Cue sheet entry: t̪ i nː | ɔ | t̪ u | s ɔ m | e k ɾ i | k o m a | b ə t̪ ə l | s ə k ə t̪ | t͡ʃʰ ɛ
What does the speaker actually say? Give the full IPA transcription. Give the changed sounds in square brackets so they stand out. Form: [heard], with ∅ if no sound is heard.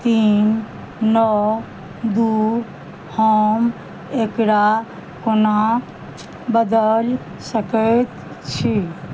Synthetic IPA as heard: t̪ i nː | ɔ | [d̪] u | [h] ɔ m | e k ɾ [a] | k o [n] a | b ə [d̪] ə l | s ə k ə t̪ | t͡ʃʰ [i]